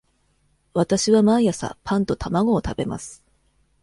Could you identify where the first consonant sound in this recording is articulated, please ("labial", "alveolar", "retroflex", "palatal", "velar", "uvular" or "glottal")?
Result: labial